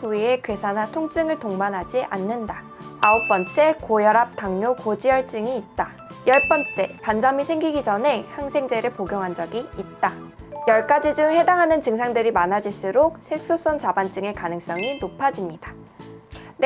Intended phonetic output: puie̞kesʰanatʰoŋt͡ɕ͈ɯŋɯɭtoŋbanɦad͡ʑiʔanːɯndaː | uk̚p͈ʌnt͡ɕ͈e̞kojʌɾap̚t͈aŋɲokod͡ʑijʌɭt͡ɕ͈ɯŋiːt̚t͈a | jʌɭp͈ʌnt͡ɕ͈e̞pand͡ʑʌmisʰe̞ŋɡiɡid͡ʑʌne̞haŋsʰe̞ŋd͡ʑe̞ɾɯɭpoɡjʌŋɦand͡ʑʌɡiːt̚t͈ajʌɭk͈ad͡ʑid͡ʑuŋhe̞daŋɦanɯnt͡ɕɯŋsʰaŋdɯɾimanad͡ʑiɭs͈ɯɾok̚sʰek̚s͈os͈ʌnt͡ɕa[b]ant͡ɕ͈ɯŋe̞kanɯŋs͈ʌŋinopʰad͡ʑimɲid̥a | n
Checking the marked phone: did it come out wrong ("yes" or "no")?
no